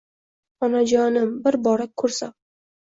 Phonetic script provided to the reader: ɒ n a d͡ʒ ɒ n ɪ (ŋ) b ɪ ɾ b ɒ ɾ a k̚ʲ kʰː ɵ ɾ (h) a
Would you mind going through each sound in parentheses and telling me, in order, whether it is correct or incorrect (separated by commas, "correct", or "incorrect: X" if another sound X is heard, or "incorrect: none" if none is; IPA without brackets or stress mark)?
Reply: incorrect: m, incorrect: s